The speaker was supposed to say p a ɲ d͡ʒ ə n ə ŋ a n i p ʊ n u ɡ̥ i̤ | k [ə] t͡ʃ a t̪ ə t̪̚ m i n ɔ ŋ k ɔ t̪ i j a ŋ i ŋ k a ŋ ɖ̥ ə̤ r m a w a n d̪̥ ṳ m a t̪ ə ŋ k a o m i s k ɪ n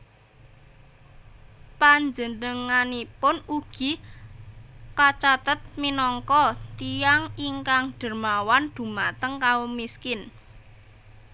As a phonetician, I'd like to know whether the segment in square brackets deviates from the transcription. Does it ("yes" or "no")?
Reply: yes